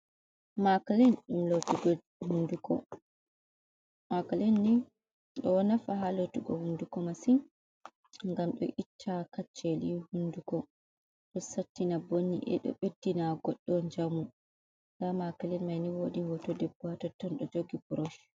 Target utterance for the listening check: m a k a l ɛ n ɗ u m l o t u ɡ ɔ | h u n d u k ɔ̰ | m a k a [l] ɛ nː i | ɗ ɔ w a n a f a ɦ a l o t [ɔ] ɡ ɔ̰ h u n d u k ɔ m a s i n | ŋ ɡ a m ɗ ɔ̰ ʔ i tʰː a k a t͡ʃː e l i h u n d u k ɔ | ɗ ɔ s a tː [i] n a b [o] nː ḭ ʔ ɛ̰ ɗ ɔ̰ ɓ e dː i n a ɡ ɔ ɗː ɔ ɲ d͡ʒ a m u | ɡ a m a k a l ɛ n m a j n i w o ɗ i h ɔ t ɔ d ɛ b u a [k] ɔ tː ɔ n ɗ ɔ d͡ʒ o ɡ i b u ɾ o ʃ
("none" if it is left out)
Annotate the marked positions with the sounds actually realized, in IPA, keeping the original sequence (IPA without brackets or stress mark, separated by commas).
l, u, i, o, t